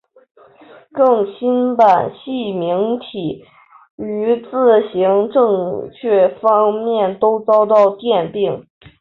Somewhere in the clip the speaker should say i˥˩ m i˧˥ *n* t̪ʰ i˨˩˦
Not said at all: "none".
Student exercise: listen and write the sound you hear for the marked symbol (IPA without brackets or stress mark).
ŋ